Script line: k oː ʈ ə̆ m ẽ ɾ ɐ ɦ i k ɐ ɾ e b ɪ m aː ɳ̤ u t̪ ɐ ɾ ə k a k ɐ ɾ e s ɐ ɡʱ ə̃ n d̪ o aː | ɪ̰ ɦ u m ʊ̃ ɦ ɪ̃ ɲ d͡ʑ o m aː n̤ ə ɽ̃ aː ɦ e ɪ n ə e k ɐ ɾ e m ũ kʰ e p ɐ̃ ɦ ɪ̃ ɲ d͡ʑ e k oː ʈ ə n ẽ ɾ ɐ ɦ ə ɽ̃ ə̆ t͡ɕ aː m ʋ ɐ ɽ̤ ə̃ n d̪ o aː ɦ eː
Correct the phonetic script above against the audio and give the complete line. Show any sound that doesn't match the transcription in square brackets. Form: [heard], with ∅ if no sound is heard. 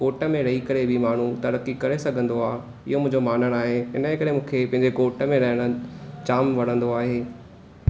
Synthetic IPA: k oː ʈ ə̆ m ẽ ɾ ɐ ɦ i k ɐ ɾ e b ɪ m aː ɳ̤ u t̪ ɐ ɾ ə k [i] k ɐ ɾ e s ɐ ɡʱ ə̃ n d̪ o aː | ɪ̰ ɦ [o] m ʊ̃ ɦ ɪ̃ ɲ d͡ʑ o m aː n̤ ə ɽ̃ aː ɦ e ɪ n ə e k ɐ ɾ e m [ũː] kʰ e p ɐ̃ ɦ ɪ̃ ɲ d͡ʑ e k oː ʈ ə [m] ẽ ɾ ɐ ɦ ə ɽ̃ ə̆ t͡ɕ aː m ʋ ɐ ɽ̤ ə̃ n d̪ o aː ɦ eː

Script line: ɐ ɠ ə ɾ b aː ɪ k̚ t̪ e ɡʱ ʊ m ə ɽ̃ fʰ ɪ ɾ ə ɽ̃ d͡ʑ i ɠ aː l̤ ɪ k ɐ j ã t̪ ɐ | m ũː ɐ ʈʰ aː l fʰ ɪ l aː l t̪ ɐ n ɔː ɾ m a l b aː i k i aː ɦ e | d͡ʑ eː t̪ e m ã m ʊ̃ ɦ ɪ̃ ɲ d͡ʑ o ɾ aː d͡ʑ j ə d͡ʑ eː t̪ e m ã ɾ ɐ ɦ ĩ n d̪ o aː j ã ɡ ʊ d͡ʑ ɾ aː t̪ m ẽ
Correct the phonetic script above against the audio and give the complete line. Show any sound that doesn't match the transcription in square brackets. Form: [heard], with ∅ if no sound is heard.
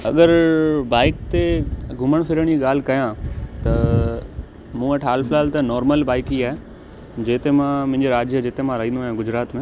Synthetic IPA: ɐ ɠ ə ɾ b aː ɪ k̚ t̪ e ɡʱ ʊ m ə ɽ̃ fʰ ɪ ɾ ə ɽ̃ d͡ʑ i ɠ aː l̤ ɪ k ɐ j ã t̪ ɐ | m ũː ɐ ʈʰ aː l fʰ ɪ l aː l t̪ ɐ n ɔː ɾ m [ə] l b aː [ɪ] k i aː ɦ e | d͡ʑ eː t̪ e m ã m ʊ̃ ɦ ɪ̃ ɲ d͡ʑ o ɾ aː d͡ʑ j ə d͡ʑ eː t̪ e m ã ɾ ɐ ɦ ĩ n d̪ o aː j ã ɡ ʊ d͡ʑ ɾ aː t̪ m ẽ

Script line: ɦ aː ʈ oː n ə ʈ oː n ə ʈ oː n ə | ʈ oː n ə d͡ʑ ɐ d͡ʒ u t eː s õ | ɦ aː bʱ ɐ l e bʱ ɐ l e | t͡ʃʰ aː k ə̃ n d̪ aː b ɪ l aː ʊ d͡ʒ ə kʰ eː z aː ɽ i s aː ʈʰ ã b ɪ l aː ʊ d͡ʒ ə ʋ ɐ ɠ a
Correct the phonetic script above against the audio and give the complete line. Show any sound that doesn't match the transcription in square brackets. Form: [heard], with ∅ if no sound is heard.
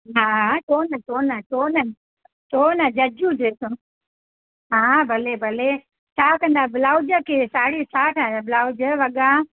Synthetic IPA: ɦ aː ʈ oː n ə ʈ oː n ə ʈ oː n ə | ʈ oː n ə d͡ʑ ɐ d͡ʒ u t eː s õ | ɦ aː bʱ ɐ l e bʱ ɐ l e | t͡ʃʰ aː k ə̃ n d̪ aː b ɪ l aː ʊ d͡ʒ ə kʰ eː [s] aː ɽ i s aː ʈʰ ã b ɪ l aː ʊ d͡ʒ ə ʋ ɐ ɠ a

